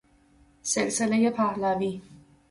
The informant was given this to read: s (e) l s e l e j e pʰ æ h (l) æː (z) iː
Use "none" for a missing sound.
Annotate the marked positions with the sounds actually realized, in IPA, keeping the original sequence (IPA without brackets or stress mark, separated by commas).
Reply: e, l, v